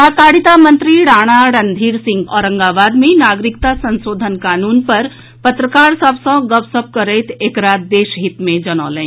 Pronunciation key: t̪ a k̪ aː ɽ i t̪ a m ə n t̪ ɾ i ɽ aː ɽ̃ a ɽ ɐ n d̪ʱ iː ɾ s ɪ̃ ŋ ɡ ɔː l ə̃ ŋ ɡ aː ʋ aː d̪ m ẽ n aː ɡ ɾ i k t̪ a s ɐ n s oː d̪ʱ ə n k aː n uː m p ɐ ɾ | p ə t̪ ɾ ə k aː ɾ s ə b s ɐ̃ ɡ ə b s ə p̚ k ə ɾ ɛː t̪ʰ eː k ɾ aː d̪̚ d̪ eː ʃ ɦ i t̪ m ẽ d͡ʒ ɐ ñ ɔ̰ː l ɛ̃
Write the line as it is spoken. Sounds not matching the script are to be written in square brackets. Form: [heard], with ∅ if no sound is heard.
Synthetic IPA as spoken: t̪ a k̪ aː ɽ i t̪ a m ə n t̪ ɾ i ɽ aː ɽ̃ a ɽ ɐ n d̪ʱ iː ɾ s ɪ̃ ŋ ɡ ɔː [ɾ] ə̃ ŋ ɡ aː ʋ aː d̪ m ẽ n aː ɡ ɾ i k t̪ a s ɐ n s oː d̪ʱ ə n k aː n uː [n] p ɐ ɾ | p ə t̪ ɾ ə k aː ɾ s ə b s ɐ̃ ɡ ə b s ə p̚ k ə ɾ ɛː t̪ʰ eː k ɾ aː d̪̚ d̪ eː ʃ ɦ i t̪ m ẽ d͡ʒ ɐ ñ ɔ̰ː l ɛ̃